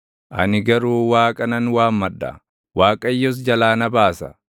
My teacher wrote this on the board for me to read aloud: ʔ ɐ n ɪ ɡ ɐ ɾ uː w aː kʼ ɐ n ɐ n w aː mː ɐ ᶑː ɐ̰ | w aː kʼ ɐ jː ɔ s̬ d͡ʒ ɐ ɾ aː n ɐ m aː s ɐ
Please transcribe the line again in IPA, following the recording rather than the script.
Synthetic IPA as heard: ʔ ɐ n ɪ ɡ ɐ ɾ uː w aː kʼ ɐ n ɐ n w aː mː ɐ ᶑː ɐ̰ | w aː kʼ ɐ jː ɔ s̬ d͡ʒ ɐ l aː n ɐ b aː s ɐ